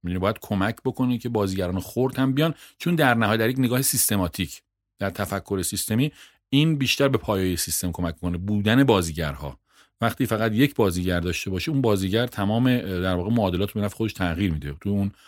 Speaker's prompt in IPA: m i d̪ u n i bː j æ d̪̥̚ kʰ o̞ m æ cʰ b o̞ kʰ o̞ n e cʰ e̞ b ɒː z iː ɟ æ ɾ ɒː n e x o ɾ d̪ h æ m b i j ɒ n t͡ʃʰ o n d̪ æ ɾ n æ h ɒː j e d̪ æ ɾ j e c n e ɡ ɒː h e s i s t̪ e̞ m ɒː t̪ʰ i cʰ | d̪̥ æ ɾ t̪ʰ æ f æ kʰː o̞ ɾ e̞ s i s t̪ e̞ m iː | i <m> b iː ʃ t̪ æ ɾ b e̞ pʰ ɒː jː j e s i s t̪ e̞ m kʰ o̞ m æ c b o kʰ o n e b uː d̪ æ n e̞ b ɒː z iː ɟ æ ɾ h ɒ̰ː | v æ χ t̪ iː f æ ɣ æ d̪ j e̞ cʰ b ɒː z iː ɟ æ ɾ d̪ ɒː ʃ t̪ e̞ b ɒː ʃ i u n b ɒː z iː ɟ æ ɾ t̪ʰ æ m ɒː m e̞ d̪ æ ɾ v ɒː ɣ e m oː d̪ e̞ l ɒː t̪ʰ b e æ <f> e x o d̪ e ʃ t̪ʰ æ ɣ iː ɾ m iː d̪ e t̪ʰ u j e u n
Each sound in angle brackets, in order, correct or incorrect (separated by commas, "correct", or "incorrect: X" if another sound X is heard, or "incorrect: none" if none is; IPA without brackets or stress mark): incorrect: n, correct